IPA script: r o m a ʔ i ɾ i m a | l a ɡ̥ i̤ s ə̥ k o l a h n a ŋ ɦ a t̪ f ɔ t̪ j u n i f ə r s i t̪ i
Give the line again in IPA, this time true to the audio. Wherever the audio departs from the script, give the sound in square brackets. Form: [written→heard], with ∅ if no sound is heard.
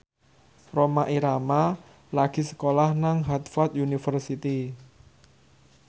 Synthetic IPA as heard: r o m a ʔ i ɾ [i→a] m a | l a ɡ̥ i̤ s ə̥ k o l a h n a ŋ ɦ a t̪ f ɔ t̪ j u n i f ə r s i t̪ i